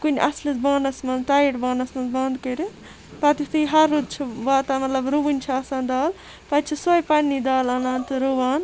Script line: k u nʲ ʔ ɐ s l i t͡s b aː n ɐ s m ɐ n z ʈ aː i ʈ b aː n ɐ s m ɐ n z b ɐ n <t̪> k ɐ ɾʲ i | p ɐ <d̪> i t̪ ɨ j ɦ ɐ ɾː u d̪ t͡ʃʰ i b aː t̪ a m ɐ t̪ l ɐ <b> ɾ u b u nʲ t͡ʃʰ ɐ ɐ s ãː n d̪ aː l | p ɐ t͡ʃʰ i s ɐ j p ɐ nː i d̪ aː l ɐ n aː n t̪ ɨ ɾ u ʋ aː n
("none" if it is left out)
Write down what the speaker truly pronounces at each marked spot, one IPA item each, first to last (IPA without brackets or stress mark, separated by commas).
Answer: d̪, t̪, b